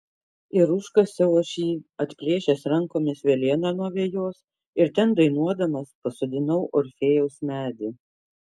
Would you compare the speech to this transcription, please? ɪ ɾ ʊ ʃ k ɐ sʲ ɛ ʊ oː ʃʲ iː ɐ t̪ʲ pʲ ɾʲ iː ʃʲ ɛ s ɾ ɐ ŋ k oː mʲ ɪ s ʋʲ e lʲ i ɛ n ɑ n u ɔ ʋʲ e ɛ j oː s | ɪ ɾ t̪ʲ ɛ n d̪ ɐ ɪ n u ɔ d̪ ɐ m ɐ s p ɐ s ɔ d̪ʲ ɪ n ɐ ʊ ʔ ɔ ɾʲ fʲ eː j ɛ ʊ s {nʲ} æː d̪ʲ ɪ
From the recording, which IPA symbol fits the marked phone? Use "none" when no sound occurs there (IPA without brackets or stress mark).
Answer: mʲ